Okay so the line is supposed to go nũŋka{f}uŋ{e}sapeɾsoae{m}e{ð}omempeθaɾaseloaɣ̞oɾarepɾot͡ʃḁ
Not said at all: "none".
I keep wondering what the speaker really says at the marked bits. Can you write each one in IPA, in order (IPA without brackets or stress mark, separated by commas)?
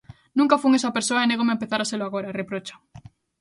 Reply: f, e, n, ɣ